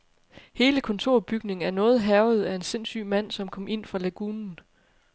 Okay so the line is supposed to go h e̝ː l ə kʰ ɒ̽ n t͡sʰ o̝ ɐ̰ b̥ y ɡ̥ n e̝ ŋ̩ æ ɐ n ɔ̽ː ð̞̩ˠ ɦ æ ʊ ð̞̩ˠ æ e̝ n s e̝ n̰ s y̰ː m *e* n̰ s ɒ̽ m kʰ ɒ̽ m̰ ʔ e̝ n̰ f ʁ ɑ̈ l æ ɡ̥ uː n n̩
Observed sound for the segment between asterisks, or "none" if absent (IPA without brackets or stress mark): æ